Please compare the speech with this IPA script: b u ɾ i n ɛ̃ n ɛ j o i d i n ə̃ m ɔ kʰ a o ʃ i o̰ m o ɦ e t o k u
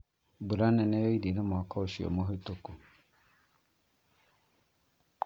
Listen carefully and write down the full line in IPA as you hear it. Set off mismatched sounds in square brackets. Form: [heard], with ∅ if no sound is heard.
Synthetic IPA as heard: b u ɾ [a] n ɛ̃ n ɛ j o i d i n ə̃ m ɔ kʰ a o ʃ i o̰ m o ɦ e t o k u